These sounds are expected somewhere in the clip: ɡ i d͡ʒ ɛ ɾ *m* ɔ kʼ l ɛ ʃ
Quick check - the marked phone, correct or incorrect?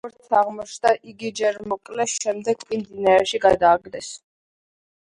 correct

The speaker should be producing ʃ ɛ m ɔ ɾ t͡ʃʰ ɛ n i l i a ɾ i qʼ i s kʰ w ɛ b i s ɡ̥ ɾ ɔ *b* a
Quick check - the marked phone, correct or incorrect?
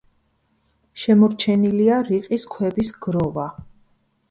incorrect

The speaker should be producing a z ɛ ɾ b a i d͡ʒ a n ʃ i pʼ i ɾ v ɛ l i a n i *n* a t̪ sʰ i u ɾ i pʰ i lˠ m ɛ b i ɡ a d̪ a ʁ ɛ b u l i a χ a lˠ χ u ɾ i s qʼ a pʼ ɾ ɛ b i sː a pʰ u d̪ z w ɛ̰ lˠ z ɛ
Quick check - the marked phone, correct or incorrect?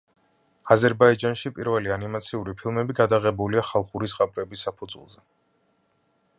incorrect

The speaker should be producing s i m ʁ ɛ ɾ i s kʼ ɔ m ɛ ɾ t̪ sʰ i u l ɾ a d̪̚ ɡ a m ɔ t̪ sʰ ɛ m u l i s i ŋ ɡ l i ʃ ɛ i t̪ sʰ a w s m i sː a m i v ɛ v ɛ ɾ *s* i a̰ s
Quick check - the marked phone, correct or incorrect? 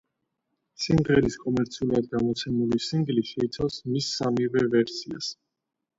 correct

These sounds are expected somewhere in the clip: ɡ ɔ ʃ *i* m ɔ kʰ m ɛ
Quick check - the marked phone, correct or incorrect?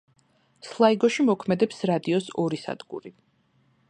correct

